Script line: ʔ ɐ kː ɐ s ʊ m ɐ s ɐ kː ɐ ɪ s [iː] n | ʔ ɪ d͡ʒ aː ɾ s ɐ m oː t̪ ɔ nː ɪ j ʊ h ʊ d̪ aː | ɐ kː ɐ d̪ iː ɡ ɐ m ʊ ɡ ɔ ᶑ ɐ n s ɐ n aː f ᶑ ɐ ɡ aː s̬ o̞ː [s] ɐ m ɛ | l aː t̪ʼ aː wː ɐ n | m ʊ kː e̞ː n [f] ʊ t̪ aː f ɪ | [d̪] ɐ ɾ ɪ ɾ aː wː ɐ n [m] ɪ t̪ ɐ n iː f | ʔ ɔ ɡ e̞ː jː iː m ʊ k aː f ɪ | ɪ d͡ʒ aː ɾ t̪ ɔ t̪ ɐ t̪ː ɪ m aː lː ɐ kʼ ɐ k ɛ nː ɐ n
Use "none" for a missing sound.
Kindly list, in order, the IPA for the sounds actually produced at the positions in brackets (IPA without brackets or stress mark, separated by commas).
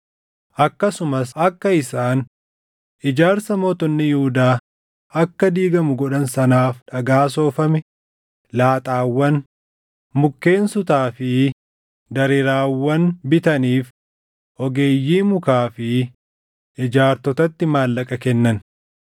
aː, f, s, d̪, b